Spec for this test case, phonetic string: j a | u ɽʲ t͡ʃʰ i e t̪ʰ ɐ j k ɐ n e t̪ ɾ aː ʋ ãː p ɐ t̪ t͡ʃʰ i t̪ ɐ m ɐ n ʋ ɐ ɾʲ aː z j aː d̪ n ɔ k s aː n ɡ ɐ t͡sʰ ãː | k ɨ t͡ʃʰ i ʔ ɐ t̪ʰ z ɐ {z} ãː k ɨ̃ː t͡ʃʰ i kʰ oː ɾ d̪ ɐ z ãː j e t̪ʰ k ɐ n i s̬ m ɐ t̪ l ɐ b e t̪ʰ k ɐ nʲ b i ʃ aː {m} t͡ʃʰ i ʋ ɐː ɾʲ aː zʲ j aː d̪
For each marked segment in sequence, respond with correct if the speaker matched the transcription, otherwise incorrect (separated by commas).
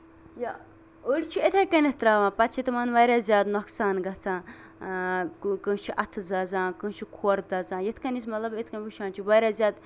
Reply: correct, incorrect